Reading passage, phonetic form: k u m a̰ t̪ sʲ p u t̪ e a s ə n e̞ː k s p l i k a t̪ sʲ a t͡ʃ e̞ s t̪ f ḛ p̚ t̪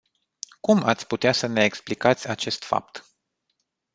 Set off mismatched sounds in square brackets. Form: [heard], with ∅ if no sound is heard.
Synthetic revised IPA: k u m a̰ t̪ sʲ p u t̪ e a s ə n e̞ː k s p l i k a t̪ sʲ a t͡ʃ e̞ s t̪ f [a̰] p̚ t̪